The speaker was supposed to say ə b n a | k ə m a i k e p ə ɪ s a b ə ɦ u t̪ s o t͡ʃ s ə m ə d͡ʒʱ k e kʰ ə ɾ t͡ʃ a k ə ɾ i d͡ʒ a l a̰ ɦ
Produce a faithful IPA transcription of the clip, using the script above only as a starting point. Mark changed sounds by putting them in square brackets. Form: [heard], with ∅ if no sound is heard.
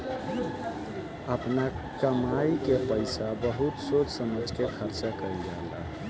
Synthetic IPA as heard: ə [p] n a | k ə m a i k e p ə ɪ s a b ə ɦ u t̪ s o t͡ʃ s ə m ə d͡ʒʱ k e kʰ ə ɾ t͡ʃ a k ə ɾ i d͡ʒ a l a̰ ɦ